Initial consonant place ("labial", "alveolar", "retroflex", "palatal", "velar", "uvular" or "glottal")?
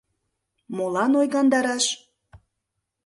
labial